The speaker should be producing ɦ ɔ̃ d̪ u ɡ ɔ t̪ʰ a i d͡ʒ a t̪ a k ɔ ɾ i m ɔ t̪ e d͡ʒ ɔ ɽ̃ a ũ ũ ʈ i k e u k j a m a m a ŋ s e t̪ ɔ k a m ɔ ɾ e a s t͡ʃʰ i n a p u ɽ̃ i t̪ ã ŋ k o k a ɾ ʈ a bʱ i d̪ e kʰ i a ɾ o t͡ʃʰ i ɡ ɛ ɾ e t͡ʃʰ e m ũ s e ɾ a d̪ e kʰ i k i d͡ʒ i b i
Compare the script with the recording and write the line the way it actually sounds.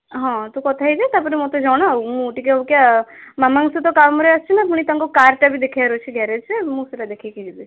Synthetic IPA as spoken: ɦ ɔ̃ t̪ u k ɔ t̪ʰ a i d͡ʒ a t̪ a p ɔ ɾ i m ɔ t̪ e d͡ʒ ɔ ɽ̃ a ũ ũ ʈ i k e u k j a m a m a ŋ s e t̪ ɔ k a m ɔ ɾ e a s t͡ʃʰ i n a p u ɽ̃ i t̪ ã ŋ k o k a ɾ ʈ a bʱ i d̪ e kʰ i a ɾ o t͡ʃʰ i ɡ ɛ ɾ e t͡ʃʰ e m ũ s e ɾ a d̪ e kʰ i k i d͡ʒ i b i